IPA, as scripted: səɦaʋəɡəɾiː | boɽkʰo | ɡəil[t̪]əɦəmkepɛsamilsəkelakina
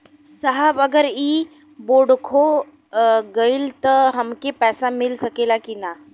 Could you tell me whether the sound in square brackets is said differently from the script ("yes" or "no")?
no